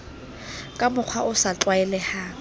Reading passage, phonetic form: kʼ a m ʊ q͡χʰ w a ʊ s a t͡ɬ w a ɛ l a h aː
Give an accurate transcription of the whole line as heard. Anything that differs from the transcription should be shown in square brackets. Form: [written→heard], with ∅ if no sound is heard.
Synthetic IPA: kʼ a m ʊ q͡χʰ w a ʊ s a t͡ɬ w a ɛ l [a→ɛ] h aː

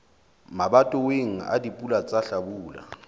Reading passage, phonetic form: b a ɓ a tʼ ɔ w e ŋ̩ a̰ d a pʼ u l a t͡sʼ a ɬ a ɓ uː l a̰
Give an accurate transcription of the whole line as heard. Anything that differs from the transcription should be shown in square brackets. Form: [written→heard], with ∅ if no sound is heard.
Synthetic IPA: [b→m] a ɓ a tʼ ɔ w e ŋ̩ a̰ d [a→i] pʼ u l a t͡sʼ a ɬ a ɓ uː l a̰

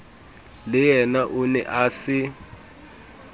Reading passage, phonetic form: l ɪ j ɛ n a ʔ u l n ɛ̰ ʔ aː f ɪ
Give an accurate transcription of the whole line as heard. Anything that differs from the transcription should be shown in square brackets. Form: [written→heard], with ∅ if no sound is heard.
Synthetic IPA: l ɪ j ɛ n a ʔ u [l→∅] n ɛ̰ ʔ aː [f→s] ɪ

